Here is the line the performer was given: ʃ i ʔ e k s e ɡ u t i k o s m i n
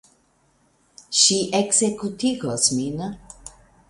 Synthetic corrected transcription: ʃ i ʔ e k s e k u t i ɡ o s m i n